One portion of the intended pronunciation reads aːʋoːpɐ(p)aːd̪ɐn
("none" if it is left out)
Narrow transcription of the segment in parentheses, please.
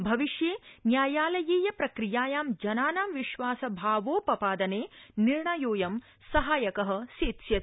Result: p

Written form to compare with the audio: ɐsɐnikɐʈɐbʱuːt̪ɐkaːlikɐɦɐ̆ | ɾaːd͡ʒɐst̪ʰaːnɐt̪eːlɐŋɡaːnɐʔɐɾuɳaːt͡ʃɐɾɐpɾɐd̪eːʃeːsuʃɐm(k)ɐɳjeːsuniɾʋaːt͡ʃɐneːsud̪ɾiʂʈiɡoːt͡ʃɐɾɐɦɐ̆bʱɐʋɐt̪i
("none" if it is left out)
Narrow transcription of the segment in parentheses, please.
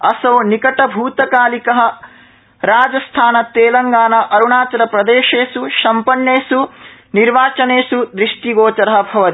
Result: p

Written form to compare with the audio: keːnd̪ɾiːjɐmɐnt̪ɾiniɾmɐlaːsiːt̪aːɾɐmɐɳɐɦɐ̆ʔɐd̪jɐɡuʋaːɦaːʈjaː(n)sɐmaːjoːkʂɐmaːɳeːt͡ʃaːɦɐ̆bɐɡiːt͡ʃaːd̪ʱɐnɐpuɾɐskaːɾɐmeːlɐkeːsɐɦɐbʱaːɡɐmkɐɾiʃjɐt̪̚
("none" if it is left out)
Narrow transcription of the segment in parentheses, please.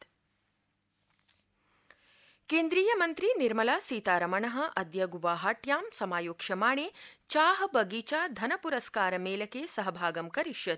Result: m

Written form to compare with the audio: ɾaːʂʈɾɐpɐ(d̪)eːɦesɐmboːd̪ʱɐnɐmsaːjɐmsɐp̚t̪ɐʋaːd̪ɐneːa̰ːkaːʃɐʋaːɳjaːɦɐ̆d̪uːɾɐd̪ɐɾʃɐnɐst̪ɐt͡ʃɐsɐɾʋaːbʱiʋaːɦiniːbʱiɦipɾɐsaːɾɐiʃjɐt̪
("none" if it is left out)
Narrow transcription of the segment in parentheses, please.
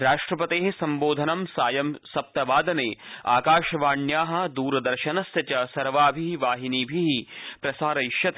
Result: t̪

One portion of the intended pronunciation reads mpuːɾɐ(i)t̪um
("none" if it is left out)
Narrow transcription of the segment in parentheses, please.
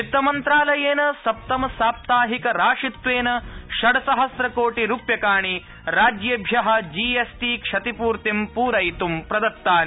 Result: j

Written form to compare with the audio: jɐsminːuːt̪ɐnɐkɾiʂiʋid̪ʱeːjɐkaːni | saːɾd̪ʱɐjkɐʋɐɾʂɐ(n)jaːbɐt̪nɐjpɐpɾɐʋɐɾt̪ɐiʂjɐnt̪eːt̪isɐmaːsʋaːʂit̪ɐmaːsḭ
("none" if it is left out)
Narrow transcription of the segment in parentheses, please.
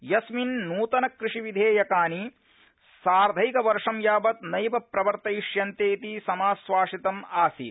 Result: m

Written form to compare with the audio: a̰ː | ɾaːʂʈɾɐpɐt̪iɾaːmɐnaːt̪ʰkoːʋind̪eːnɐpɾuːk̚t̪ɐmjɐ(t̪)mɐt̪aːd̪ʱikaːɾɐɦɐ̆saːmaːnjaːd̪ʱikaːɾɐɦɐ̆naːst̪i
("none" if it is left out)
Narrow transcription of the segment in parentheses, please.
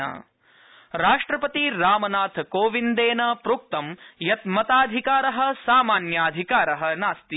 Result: t̪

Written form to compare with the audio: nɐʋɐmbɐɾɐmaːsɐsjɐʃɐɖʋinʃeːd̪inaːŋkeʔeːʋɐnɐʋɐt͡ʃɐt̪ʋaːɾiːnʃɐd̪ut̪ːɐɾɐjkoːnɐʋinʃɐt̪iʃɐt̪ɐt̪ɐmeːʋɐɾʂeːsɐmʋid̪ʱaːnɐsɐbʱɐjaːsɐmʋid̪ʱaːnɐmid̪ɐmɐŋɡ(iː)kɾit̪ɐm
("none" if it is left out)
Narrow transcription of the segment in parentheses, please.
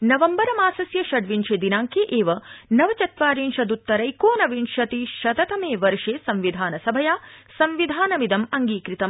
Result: iː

